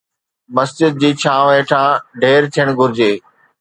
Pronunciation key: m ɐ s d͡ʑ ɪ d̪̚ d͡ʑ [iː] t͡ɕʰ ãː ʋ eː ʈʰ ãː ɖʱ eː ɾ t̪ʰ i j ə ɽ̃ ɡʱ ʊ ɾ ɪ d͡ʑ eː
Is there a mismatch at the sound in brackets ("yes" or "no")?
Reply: no